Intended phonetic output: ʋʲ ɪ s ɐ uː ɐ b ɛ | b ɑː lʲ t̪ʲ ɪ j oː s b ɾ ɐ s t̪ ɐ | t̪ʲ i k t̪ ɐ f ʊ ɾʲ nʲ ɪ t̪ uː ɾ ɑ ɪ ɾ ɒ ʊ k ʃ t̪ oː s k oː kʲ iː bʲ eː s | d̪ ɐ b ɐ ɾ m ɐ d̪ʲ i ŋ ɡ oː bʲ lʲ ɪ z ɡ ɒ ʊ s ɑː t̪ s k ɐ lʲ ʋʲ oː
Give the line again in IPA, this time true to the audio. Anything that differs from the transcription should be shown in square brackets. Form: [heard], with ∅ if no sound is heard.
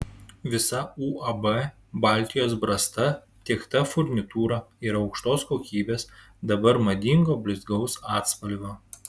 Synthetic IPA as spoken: ʋʲ ɪ s ɐ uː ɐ b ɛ | b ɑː lʲ t̪ʲ ɪ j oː s b ɾ ɐ s t̪ ɐ | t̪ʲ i k t̪ ɐ f ʊ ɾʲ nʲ ɪ t̪ uː ɾ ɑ ɪ ɾ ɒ ʊ k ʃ t̪ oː s k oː kʲ iː bʲ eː s | d̪ ɐ b ɐ ɾ m ɐ d̪ʲ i ŋ ɡ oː bʲ lʲ ɪ z ɡ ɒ ʊ s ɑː t̪ s [p] ɐ lʲ ʋʲ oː